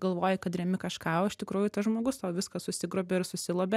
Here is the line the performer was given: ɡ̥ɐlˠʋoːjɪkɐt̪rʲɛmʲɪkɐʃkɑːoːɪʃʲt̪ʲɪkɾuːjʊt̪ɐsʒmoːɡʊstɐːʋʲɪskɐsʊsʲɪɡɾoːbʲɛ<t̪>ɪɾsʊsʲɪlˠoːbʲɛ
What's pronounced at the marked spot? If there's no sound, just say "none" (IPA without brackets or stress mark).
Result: none